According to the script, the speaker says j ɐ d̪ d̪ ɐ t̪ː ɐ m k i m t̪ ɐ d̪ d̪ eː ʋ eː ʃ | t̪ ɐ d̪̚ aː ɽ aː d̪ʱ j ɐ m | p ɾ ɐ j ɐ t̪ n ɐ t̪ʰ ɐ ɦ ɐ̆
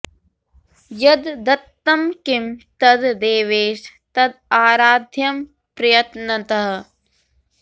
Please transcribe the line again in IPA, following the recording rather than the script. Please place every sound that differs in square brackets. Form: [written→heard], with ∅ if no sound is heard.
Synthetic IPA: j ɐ d̪ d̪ ɐ t̪ː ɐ m k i m t̪ ɐ d̪ d̪ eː ʋ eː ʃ | t̪ ɐ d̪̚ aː [ɽ→ɾ] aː d̪ʱ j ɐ m | p ɾ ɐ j ɐ t̪ n ɐ [t̪ʰ→t̪] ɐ ɦ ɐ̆